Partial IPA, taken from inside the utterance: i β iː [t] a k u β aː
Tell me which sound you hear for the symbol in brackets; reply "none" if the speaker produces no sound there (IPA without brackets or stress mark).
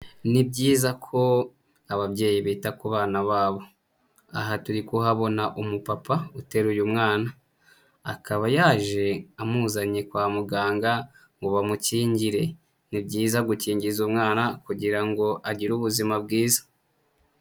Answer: t